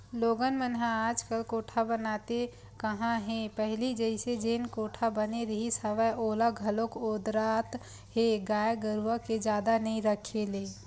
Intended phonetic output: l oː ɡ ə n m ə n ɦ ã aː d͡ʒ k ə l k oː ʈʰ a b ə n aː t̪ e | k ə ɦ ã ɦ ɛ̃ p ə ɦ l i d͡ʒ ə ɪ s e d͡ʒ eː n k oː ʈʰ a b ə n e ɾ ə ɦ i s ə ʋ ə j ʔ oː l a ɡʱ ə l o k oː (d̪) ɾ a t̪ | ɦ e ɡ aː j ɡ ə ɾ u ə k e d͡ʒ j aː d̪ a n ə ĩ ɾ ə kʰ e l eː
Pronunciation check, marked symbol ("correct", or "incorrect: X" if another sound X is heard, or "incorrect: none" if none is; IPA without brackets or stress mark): correct